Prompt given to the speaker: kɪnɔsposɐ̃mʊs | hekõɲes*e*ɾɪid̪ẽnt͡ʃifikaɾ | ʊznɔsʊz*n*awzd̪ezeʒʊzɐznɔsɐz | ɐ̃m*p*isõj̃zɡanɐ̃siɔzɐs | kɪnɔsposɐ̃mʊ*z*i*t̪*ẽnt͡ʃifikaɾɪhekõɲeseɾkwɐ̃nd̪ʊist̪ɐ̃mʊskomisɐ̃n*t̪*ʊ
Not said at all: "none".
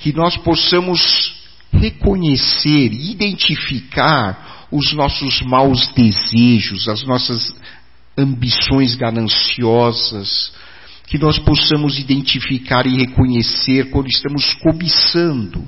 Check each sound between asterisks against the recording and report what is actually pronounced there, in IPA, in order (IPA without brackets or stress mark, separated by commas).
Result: e, m, b, z, d̪, d̪